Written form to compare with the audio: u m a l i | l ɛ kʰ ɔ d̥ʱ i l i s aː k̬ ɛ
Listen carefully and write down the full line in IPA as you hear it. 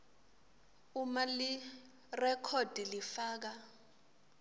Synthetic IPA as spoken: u m a l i | r ɛ kʰ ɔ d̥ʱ i l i f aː k̬ a